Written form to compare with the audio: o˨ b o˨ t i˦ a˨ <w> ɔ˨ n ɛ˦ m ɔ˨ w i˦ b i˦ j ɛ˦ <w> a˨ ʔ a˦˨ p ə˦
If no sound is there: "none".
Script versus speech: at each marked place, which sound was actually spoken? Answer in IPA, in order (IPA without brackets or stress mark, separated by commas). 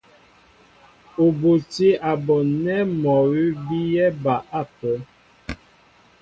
b, b